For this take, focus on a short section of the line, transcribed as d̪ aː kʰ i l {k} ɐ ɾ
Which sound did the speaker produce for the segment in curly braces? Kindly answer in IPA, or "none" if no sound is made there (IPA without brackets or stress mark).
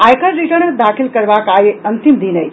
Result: k